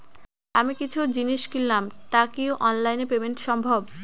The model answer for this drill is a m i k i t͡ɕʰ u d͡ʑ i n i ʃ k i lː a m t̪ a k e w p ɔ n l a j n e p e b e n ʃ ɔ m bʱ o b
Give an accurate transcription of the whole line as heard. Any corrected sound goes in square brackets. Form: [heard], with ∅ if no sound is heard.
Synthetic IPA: a m i k i t͡ɕʰ u d͡ʑ i n i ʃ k i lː a m t̪ a k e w [ʔ] ɔ n l a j n e p e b e n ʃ ɔ m bʱ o b